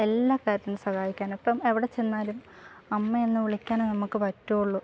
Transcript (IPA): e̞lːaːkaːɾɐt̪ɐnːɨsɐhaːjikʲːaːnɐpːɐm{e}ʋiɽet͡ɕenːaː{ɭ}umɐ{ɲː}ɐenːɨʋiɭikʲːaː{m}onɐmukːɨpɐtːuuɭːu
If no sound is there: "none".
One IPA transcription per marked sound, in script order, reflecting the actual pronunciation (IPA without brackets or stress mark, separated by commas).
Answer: e, l, mː, n